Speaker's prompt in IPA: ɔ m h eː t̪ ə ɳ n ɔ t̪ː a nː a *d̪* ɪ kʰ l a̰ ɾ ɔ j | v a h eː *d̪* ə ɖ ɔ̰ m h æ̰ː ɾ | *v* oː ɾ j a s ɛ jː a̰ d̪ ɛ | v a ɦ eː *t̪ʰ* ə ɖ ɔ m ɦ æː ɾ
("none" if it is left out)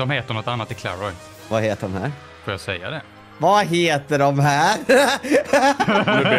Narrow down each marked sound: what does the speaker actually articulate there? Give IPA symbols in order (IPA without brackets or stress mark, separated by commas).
t̪, t̪, f, t̪